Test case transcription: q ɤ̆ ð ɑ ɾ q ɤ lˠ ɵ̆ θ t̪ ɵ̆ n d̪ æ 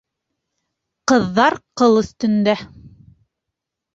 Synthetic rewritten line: q ɤ̆ ðː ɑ ɾ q ɤ lˠ ɵ̆ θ t̪ ɵ̆ n d̪ æ